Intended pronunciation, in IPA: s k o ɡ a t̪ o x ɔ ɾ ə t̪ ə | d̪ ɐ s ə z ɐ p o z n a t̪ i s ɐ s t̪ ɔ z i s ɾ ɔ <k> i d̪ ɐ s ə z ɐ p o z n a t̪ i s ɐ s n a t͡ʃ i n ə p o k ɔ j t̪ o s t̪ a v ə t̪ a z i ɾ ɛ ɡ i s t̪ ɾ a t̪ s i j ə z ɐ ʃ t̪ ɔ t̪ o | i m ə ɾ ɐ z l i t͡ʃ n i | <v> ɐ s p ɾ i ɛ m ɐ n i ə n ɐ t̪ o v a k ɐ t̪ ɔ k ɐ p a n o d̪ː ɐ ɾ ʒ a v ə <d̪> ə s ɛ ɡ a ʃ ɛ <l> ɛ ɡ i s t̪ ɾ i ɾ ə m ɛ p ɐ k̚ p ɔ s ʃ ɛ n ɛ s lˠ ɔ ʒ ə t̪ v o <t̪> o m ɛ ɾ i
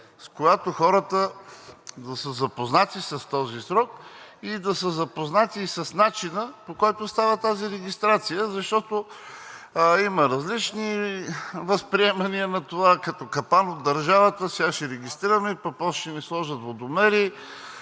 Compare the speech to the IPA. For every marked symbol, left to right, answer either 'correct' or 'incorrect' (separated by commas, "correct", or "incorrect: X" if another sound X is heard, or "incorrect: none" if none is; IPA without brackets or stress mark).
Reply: correct, correct, incorrect: t̪, incorrect: ɾ, incorrect: d̪